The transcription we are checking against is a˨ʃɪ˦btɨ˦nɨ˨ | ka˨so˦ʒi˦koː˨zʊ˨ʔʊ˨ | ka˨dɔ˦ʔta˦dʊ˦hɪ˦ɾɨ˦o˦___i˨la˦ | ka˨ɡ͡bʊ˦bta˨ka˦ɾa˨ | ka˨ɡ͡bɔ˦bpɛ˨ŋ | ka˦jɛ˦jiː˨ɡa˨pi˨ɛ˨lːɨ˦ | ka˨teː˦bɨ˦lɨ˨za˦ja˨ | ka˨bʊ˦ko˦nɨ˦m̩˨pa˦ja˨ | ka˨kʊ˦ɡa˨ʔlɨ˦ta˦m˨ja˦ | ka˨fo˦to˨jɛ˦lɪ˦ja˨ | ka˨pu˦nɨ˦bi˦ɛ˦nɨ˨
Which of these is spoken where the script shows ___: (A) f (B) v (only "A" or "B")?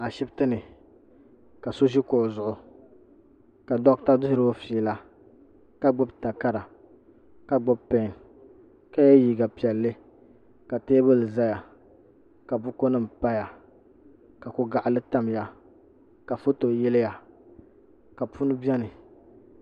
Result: A